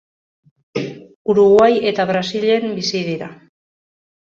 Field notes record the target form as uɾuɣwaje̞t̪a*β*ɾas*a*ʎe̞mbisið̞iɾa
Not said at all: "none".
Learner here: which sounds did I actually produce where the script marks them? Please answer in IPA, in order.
β, i

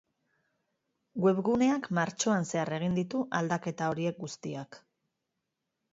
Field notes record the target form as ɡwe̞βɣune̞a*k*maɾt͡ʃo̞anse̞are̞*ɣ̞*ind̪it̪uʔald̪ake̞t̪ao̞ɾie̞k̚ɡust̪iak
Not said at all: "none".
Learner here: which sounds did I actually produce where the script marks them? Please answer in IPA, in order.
k, ɣ̞

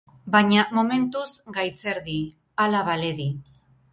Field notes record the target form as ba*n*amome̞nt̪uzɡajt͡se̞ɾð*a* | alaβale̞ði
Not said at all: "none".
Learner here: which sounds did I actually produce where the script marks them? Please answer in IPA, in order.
ɲ, i

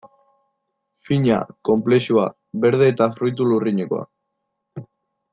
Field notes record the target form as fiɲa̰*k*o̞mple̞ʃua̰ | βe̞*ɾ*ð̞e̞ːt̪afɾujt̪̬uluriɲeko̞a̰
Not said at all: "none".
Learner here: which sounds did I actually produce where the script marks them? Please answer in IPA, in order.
k, ɾ

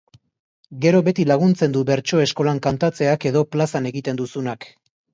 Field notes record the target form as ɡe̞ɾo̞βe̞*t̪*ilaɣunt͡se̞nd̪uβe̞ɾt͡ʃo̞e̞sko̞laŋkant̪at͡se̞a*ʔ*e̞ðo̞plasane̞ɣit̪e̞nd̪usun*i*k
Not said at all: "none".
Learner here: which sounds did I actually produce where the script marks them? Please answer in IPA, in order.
t̪, k, a

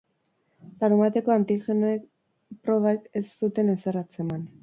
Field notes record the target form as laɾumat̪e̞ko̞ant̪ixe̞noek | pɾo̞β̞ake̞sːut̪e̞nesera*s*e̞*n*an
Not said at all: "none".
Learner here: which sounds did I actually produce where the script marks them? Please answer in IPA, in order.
t͡s, m

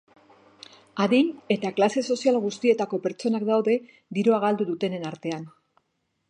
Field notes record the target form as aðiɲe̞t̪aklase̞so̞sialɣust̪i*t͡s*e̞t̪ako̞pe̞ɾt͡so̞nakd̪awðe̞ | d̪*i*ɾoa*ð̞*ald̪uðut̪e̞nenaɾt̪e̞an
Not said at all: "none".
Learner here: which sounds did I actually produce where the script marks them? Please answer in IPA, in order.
none, i, ɣ̞

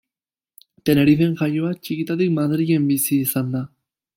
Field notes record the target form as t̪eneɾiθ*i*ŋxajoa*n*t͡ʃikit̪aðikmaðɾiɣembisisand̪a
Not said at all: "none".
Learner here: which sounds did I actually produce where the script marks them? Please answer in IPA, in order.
e, none

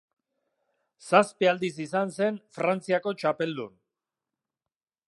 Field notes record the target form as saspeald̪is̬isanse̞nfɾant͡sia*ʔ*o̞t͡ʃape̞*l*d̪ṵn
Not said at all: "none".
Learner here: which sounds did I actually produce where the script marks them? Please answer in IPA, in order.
k, l

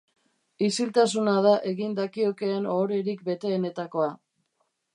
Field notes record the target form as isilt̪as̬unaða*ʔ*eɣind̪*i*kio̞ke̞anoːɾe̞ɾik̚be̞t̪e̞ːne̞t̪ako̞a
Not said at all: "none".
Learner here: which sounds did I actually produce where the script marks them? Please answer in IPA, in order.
ʔ, a

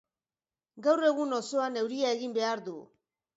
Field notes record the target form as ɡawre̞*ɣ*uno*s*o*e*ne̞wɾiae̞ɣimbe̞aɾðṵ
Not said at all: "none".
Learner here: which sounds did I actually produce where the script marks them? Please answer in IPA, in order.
ɣ, s, a

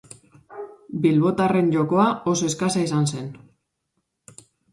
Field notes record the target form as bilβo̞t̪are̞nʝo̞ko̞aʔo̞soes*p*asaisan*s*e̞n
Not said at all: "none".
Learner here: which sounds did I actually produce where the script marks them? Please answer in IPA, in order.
k, s

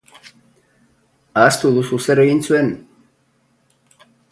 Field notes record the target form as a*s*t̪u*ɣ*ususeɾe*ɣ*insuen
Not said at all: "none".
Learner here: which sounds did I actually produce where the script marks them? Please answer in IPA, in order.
s, ð, ɣ

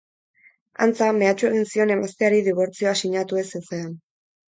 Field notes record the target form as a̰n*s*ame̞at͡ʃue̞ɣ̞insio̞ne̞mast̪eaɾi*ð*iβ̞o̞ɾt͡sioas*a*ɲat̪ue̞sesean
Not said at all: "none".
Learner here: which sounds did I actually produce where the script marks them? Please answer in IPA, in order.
t͡s, ð, i

